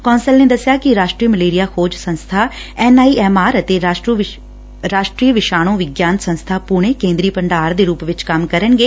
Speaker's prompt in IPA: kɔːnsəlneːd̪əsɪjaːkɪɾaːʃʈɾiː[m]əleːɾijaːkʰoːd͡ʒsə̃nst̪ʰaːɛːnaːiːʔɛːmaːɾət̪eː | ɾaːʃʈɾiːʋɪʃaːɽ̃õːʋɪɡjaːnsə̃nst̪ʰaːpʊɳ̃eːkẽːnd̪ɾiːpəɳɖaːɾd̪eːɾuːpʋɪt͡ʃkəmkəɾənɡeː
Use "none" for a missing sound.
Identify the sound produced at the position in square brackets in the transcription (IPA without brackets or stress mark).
m